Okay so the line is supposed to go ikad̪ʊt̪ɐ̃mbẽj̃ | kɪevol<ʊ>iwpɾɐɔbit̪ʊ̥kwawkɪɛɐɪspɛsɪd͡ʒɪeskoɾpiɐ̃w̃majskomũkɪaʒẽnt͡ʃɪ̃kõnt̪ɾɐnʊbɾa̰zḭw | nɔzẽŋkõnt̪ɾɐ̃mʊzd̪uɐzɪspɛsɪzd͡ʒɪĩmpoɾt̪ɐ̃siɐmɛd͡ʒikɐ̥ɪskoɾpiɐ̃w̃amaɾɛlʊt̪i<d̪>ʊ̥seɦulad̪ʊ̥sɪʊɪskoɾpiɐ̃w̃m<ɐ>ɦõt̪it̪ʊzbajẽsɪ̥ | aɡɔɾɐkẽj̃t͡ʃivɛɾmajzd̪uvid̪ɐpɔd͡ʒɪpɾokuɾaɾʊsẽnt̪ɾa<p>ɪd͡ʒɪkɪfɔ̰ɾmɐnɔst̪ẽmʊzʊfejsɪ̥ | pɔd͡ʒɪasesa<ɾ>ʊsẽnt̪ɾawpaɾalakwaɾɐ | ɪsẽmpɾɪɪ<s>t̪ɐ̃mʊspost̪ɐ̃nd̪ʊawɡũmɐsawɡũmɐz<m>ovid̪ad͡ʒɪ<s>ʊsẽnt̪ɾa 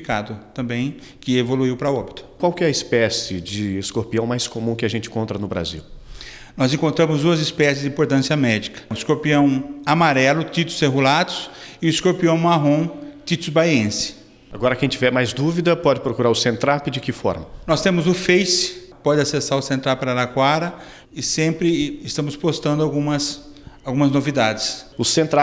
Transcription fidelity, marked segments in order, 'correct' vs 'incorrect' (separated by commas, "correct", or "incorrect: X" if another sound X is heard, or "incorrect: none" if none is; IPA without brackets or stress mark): incorrect: u, incorrect: t̪, incorrect: a, correct, correct, correct, incorrect: n, correct